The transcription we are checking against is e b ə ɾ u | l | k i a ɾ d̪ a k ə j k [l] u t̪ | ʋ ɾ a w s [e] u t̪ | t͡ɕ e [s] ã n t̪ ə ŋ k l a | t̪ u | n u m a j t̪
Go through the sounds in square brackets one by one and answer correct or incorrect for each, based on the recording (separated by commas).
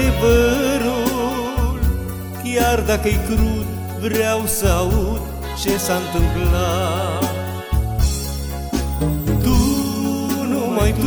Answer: incorrect, incorrect, correct